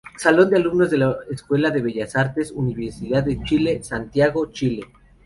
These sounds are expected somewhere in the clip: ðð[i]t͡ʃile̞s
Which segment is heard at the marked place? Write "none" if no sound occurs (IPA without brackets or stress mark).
e